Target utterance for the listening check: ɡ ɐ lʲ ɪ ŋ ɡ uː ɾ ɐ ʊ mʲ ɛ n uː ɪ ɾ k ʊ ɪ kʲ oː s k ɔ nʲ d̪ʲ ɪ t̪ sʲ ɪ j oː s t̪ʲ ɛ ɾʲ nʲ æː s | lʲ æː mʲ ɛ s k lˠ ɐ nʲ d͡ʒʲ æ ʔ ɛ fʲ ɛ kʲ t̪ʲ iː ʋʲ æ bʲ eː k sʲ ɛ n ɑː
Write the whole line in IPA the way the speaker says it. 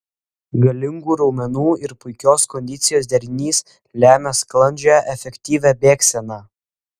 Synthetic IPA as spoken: ɡ ɐ lʲ ɪ ŋ ɡ uː ɾ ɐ ʊ mʲ ɛ n uː ɪ ɾ p ʊ ɪ kʲ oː s k ɔ nʲ d̪ʲ ɪ t̪ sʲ ɪ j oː s d̪ʲ ɛ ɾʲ nʲ iː s | lʲ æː mʲ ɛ s k lˠ ɐ nʲ d͡ʒʲ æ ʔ ɛ fʲ ɛ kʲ t̪ʲ iː ʋʲ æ bʲ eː k sʲ ɛ n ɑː